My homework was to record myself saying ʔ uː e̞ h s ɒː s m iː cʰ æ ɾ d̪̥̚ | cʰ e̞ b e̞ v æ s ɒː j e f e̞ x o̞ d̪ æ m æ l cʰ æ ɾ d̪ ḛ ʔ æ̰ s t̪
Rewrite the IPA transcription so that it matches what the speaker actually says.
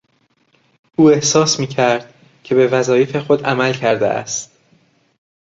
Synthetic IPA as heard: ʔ uː e̞ h s ɒː s m iː cʰ æ ɾ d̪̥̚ | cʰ e̞ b e̞ v æ z ɒː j e f e̞ x o̞ d̪ æ m æ l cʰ æ ɾ d̪ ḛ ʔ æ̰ s t̪